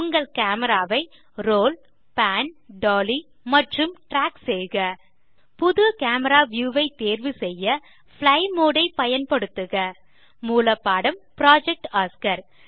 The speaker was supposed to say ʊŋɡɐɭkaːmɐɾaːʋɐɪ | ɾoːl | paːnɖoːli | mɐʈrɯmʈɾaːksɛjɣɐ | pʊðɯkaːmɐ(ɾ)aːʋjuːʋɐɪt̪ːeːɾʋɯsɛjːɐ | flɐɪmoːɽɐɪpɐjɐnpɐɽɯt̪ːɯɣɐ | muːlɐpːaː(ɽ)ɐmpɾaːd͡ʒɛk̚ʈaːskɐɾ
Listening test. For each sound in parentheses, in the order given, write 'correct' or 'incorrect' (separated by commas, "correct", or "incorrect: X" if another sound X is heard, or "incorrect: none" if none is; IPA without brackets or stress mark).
correct, correct